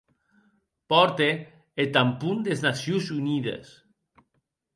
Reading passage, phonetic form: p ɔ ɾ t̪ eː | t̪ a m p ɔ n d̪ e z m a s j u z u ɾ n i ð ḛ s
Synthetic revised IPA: p ɔ ɾ t̪ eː | t̪ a m p u n d̪ e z n a s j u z u n i ð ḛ s